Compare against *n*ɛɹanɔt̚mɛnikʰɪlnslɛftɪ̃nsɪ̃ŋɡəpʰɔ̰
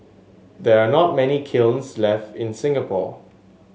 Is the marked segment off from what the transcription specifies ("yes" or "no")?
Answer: yes